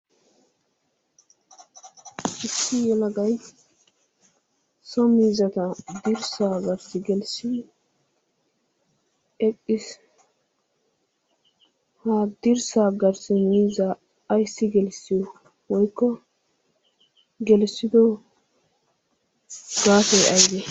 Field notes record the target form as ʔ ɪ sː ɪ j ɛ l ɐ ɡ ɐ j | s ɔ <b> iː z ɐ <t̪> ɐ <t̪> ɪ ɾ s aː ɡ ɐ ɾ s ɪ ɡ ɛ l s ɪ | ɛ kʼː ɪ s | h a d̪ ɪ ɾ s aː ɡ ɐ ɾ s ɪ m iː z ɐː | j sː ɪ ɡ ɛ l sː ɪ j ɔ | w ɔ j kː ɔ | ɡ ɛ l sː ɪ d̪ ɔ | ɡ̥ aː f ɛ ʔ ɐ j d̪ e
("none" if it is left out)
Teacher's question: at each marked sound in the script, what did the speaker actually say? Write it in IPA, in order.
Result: m, t̪, d̪

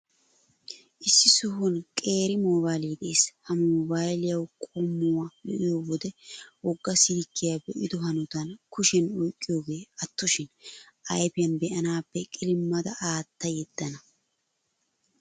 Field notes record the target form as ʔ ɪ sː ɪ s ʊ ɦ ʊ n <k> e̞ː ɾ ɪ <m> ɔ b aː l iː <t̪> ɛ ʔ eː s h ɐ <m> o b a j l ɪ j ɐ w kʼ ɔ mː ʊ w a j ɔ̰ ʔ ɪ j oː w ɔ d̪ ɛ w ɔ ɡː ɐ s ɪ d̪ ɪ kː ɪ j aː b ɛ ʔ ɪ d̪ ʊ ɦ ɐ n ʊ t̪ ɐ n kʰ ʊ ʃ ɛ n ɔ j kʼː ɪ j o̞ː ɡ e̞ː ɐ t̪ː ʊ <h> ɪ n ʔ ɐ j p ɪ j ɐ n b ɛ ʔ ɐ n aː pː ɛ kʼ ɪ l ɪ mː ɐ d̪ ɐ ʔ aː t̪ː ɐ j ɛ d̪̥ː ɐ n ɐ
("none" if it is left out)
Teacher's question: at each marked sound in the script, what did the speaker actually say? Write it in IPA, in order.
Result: kʼ, m, d̪, m, ʃ

